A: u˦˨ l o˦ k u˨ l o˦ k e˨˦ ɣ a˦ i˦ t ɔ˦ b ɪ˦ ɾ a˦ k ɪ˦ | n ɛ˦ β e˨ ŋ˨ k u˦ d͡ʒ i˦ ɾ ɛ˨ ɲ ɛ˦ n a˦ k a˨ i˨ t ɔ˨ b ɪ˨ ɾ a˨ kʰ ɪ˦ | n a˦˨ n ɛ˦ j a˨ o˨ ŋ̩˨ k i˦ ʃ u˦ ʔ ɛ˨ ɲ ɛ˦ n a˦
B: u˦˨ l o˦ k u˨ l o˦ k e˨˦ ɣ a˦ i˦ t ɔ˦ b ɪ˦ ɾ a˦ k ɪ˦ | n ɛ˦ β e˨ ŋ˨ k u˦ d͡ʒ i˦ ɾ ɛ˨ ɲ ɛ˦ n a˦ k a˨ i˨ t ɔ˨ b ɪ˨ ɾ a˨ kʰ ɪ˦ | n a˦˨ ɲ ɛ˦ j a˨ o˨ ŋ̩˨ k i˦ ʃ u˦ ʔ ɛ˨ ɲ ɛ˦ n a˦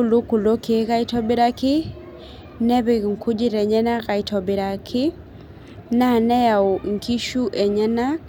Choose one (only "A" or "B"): A